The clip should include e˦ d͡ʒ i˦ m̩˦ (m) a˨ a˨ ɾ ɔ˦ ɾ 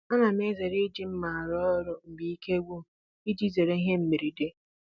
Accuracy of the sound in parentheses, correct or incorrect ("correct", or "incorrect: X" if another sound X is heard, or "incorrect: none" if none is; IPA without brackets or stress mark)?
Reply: correct